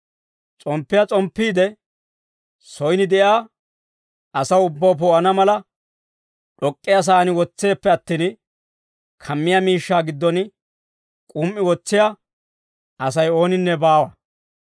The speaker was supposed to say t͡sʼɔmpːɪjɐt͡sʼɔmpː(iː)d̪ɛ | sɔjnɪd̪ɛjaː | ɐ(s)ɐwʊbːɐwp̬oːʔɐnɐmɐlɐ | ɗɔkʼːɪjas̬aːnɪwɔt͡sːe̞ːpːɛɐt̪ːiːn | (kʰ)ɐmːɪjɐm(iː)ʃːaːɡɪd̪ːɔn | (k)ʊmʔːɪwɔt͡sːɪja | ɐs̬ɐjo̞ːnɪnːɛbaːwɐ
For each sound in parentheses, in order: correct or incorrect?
correct, correct, correct, correct, incorrect: kʼ

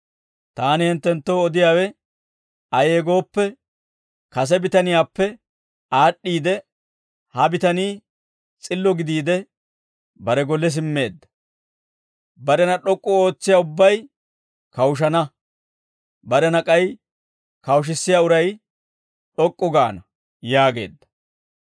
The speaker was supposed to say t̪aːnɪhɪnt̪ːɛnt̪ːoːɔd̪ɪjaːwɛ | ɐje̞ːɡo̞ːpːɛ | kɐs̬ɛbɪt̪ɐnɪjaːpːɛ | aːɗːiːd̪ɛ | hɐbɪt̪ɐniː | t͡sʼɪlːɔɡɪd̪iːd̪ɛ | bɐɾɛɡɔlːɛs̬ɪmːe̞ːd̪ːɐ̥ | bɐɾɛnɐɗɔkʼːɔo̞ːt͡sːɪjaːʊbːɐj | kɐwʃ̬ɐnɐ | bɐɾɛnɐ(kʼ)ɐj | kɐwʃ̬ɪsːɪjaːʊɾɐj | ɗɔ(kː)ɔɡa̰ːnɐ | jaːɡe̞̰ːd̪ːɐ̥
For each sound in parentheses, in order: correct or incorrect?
correct, incorrect: kʼː

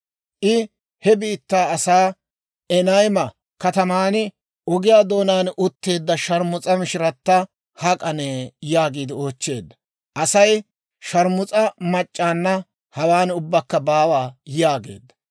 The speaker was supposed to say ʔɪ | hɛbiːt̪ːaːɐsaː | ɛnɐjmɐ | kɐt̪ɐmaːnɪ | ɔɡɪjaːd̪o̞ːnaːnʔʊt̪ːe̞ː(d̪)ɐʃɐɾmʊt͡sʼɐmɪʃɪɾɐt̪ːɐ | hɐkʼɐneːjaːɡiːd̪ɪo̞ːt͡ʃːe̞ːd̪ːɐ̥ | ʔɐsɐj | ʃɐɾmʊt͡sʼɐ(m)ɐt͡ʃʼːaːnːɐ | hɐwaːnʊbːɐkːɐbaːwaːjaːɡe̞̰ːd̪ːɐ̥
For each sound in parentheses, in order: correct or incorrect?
incorrect: d̪ː, correct

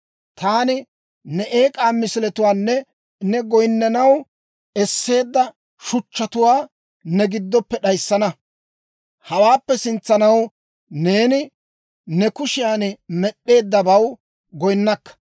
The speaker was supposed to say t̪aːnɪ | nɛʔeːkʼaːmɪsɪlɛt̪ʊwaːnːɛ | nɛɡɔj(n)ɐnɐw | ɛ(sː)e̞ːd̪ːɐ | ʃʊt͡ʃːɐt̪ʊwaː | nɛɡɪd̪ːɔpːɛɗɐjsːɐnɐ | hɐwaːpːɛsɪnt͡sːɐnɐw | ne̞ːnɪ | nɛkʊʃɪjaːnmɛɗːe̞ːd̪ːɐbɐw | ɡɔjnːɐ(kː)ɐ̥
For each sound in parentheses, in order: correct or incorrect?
incorrect: nː, correct, correct

